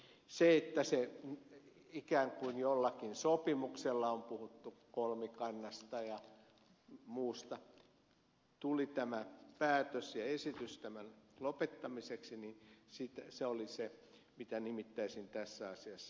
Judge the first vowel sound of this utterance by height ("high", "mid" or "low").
mid